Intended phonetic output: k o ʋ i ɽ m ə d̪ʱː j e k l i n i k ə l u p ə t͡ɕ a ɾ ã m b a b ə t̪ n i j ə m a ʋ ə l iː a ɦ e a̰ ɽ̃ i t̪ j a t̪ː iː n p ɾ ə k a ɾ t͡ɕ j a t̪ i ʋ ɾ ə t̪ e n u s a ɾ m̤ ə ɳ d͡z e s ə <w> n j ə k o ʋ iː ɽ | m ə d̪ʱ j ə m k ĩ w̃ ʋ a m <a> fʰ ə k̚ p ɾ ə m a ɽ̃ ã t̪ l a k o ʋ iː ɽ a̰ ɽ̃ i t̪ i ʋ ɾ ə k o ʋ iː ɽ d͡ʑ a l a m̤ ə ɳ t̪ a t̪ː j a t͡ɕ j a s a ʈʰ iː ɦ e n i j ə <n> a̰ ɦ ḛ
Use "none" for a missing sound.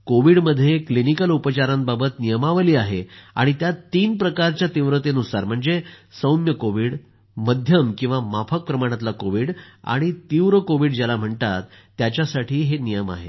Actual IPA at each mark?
w, a, m

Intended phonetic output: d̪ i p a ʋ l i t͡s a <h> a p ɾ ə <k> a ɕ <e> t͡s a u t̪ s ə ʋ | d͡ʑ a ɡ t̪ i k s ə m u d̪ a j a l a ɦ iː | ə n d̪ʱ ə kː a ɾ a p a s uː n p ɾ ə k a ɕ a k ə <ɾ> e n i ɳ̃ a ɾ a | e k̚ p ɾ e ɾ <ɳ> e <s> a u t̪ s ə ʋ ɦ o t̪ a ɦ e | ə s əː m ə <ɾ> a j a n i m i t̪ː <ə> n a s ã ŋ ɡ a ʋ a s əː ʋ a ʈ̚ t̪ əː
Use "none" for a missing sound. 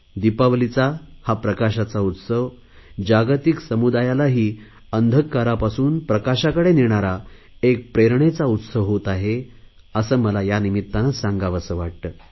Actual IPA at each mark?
h, k, a, ɽ, ɳ, t͡s, l, a

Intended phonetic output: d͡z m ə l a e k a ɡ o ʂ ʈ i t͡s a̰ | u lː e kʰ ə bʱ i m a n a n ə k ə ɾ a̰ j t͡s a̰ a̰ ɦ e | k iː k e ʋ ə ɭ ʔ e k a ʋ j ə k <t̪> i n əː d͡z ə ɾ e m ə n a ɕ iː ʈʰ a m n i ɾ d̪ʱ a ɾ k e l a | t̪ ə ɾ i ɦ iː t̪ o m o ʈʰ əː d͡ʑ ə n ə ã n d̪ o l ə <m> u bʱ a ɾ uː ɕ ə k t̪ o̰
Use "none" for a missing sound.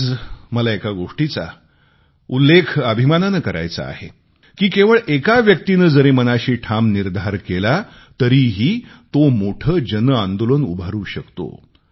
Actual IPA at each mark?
t̪, n

